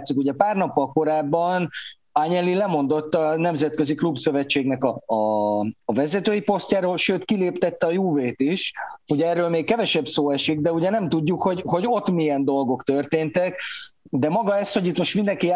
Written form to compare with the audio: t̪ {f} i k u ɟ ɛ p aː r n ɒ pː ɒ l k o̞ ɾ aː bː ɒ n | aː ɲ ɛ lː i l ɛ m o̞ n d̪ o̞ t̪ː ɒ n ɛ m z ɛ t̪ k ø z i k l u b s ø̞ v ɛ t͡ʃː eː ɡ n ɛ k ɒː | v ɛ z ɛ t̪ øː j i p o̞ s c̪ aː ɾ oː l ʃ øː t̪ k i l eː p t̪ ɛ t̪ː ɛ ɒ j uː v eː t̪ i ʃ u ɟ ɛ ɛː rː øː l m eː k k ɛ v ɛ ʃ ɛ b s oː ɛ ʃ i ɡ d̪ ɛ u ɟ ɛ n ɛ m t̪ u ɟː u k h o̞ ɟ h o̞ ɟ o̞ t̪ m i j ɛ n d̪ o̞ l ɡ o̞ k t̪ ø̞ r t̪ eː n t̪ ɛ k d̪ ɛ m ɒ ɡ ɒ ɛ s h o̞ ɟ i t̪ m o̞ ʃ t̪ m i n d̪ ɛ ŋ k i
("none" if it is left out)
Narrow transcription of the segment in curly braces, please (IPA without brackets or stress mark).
s